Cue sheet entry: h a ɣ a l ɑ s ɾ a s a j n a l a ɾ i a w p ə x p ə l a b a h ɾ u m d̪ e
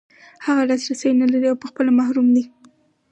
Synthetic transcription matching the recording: h a ɣ a l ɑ s ɾ a s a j n a l a ɾ i a w p ə x p ə l a m a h ɾ u m d̪ i